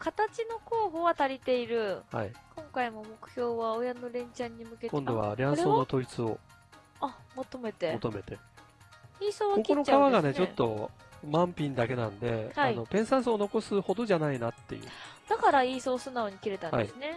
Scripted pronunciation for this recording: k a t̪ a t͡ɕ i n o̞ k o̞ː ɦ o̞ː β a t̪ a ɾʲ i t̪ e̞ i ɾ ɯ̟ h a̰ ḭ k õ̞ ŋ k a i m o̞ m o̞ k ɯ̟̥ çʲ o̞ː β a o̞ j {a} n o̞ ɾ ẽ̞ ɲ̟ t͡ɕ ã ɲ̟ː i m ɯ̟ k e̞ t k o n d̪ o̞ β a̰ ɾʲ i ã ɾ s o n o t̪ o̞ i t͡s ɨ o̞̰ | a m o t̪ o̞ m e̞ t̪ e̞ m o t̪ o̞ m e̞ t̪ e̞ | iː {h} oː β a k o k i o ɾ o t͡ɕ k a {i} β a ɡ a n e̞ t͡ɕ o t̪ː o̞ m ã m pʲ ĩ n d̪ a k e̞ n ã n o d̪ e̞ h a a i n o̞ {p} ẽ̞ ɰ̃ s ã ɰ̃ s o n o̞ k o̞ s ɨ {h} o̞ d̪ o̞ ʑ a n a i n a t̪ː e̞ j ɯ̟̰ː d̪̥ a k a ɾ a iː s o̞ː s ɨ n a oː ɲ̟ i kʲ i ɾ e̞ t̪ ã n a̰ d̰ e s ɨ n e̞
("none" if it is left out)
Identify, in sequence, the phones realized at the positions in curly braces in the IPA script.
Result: a, s, a, p, h

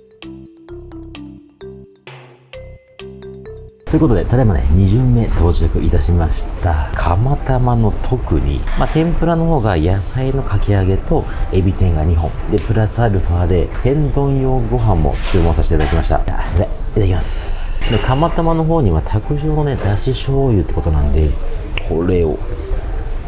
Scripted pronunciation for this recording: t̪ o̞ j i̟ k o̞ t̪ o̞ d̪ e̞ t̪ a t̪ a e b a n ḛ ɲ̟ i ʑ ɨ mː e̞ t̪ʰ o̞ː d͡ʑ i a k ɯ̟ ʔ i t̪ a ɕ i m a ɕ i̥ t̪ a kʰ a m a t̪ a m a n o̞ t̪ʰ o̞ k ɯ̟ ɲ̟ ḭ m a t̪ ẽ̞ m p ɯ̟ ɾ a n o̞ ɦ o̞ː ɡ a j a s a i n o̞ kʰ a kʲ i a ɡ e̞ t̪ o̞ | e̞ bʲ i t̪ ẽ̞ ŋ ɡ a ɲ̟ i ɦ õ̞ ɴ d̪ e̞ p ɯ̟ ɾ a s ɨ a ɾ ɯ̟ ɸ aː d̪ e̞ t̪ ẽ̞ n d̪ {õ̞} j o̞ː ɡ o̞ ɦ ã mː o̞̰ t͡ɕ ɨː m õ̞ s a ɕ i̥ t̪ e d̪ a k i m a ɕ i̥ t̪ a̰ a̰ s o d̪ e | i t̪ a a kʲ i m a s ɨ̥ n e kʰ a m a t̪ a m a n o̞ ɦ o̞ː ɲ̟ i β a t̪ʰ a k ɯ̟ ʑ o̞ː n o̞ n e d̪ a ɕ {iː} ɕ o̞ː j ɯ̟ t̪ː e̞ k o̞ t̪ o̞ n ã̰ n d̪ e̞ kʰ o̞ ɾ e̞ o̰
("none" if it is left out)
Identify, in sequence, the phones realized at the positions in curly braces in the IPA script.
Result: õ̞, i

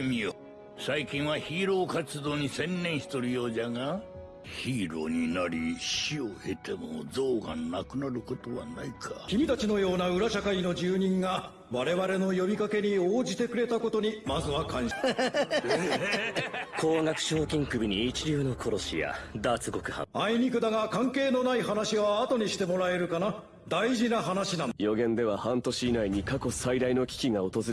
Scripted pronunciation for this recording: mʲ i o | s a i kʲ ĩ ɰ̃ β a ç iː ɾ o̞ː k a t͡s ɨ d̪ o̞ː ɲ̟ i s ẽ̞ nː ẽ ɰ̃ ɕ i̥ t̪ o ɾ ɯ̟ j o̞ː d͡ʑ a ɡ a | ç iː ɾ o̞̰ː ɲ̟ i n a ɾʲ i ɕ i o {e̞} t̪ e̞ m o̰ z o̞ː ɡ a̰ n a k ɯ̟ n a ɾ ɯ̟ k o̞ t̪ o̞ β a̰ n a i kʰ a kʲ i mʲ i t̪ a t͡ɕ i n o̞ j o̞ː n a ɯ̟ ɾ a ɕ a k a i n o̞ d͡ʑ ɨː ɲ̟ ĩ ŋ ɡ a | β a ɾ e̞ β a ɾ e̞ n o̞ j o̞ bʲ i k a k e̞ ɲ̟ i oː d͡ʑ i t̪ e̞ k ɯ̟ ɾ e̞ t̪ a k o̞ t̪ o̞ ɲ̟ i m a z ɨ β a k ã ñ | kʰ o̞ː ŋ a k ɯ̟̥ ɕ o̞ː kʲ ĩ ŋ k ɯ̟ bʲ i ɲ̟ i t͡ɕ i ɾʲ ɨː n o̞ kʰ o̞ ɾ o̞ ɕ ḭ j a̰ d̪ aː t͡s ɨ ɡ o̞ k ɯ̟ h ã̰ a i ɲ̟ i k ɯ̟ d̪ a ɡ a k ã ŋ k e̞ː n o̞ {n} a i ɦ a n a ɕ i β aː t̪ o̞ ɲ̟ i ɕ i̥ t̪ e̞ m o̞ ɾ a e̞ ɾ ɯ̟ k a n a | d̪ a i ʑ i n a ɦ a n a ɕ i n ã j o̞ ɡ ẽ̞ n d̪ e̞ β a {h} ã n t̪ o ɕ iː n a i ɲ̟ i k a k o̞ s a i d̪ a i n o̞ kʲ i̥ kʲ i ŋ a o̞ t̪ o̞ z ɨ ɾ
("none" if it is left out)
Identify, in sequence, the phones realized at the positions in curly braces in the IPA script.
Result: e̞, n, h

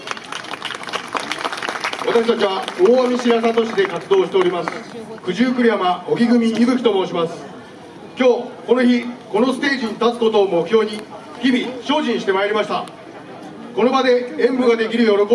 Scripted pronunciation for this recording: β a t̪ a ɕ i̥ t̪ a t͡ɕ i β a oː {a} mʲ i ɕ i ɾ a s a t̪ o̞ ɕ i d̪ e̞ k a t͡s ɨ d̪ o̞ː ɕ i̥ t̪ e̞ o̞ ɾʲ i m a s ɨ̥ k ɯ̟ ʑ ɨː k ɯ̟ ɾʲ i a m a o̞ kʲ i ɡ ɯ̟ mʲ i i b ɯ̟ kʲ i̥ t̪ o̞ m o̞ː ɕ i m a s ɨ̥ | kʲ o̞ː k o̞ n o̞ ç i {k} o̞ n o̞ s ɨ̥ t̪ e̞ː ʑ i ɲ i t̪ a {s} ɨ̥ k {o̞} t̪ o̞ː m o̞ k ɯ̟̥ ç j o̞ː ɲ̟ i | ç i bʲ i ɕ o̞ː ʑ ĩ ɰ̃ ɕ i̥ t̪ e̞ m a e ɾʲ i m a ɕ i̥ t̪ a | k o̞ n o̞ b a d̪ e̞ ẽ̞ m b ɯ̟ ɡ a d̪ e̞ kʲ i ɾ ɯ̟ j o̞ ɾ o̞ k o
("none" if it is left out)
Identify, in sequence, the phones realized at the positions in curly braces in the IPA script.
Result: a, k, t͡s, o̞

